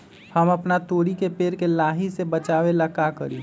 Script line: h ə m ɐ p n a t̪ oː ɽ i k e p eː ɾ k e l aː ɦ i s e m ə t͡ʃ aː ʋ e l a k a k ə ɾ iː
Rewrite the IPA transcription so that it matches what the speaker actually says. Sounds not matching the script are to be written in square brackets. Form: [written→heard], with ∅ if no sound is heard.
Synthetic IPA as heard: h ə m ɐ p n a t̪ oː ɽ i k e p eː ɾ k e l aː ɦ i s e [m→b] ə t͡ʃ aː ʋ e l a k a k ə ɾ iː